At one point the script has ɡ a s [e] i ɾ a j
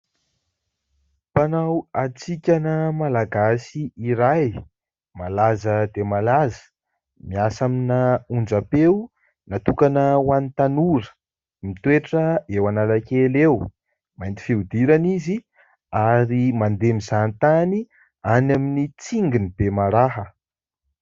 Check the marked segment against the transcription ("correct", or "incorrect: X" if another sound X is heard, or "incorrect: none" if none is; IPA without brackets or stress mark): incorrect: i